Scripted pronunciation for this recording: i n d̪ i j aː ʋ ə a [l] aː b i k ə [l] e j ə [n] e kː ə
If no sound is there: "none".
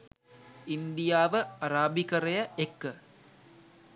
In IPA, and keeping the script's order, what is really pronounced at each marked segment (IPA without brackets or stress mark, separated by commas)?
ɾ, ɾ, none